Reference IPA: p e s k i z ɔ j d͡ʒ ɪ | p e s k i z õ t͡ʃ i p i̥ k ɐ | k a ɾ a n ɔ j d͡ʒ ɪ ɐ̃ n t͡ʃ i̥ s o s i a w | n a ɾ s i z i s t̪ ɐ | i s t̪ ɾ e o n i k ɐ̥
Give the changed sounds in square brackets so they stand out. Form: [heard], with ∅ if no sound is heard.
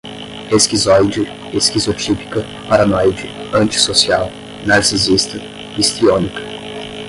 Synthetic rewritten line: p e s k i z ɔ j d͡ʒ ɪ | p e s k i z [o] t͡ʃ i p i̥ k ɐ | [p] a ɾ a n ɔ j d͡ʒ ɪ ɐ̃ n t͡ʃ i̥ s o s i a w | n a ɾ s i z i s t̪ ɐ | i s t̪ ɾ [i] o n i k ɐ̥